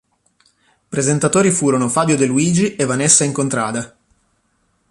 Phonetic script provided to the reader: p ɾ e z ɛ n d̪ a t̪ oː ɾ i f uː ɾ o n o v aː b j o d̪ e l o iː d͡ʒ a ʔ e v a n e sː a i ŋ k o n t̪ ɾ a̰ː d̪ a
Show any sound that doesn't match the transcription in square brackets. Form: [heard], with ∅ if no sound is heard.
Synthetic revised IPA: p ɾ e z [e] n [t̪] a t̪ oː ɾ i f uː ɾ o n o [f] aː b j o d̪ e l [u] iː d͡ʒ [i] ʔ e v a n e sː a i ŋ k o n t̪ ɾ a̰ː d̪ a